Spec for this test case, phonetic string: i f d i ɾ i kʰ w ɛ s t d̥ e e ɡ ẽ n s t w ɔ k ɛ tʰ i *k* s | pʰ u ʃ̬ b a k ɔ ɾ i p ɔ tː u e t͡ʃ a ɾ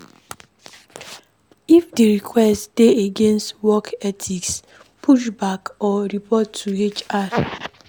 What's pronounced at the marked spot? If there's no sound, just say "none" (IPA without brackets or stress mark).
k